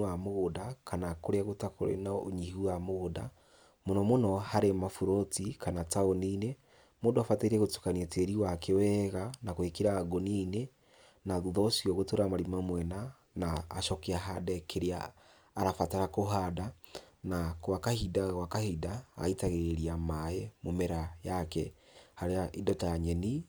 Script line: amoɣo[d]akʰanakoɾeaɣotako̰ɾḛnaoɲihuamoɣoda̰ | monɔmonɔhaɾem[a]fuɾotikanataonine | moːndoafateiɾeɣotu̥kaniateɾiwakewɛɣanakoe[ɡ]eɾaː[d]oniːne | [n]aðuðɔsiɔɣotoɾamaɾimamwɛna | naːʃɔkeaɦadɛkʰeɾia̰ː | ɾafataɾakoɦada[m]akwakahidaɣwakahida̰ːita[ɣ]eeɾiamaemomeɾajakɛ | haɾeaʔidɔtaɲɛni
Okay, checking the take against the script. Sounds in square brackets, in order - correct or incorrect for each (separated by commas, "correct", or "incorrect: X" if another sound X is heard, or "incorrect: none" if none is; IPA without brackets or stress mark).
correct, correct, incorrect: k, incorrect: ɡ, correct, incorrect: n, correct